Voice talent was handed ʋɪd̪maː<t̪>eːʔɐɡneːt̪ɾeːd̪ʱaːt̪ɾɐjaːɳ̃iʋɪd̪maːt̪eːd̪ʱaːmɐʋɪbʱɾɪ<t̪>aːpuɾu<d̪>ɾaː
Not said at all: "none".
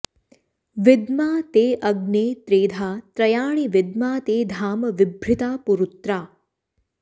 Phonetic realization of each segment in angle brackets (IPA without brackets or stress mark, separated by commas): t̪, t̪, t̪